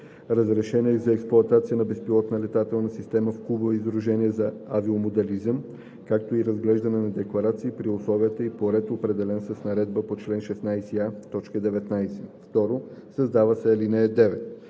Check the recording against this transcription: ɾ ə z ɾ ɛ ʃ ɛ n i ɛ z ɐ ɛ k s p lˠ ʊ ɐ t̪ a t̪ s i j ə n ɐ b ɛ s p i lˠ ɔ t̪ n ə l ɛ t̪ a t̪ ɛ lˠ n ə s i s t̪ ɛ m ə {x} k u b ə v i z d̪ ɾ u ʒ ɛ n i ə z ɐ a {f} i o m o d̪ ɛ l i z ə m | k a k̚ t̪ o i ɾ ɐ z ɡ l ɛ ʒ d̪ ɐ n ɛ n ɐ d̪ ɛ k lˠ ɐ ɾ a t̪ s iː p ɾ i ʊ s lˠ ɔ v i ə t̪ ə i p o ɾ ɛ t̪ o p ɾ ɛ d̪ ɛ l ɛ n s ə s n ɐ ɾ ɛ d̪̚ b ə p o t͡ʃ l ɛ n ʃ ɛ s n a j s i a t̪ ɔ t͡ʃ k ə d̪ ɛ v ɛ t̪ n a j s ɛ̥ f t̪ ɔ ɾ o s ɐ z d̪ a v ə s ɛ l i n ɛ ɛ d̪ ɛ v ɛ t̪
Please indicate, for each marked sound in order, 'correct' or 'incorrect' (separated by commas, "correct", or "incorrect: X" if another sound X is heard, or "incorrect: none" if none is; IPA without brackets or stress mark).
incorrect: f, incorrect: v